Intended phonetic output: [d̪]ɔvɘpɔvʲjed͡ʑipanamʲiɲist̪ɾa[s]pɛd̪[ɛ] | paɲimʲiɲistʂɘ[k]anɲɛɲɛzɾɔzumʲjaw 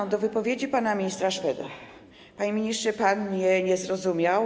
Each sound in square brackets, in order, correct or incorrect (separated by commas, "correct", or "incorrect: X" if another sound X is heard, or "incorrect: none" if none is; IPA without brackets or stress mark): correct, incorrect: ʂ, incorrect: a, incorrect: p